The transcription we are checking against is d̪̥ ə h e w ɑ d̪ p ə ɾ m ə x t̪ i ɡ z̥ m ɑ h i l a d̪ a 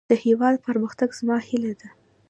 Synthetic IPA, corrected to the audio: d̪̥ ə h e w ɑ d̪ p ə ɾ m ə x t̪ a ɡ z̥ m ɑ h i l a d̪ a